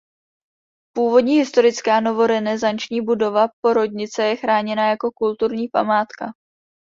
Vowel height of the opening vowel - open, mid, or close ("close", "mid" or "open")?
close